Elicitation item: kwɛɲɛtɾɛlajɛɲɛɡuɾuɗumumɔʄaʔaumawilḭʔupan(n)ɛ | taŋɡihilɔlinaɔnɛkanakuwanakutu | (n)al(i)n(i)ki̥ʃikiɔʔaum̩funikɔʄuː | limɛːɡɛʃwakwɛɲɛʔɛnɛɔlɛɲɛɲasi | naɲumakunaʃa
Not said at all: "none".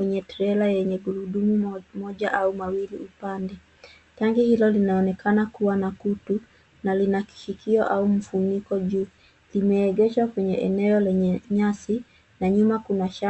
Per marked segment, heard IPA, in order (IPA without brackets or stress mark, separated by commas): d, n, i, a